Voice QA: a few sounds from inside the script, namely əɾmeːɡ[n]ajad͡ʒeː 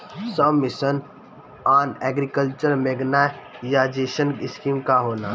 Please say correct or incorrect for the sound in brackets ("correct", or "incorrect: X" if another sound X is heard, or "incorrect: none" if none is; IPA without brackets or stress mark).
correct